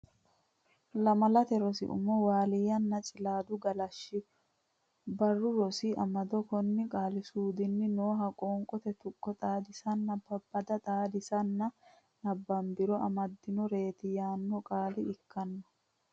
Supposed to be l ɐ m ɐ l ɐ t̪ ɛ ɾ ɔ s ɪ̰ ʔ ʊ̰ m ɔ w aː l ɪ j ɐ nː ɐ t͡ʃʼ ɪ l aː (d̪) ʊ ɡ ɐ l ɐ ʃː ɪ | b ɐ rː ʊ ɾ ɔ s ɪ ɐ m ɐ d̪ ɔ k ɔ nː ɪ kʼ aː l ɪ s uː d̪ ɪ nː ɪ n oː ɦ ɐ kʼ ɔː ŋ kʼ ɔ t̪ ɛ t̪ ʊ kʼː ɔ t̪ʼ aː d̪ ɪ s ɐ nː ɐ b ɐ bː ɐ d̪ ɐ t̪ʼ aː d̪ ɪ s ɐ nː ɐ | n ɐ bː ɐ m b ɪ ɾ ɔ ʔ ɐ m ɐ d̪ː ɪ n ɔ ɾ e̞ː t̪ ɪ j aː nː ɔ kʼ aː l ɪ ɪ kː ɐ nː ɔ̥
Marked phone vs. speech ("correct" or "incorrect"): correct